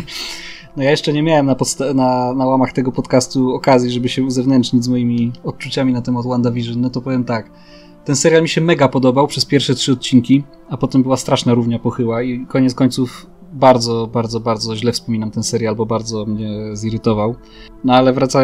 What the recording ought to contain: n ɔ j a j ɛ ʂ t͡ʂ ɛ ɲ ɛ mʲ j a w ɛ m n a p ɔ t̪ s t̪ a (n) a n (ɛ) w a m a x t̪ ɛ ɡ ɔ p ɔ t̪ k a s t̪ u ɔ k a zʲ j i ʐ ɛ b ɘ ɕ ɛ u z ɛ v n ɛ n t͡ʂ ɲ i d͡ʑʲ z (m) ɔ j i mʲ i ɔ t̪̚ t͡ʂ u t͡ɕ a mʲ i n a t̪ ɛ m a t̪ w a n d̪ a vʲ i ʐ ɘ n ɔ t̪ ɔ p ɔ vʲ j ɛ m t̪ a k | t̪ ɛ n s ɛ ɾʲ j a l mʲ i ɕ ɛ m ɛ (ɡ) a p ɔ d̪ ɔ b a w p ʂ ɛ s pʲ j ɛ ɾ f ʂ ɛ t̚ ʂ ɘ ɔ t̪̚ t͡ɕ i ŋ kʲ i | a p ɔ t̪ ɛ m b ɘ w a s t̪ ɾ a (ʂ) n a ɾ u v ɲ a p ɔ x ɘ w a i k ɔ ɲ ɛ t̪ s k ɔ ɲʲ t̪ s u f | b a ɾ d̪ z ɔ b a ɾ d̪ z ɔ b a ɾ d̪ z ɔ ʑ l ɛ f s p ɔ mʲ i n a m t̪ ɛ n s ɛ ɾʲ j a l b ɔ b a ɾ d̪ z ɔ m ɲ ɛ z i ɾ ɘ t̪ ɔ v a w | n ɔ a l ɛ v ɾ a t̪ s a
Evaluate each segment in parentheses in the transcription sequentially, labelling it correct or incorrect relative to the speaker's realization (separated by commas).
correct, incorrect, correct, correct, correct